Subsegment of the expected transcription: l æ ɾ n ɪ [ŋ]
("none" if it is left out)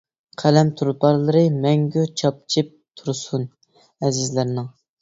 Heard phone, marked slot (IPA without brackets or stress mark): ŋ